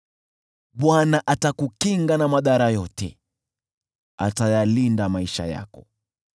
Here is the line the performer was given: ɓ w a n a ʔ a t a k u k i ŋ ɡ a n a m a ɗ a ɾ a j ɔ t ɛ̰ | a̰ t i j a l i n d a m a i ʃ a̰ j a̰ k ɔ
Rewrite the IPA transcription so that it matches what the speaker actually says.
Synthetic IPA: ɓ w a n a ʔ a t a k u k i ŋ ɡ a n a m a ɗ a ɾ a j ɔ t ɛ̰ | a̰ t a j a l i n d a m a i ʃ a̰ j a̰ k ɔ